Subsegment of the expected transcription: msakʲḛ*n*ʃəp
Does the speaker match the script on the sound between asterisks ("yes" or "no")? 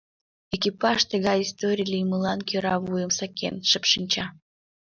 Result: yes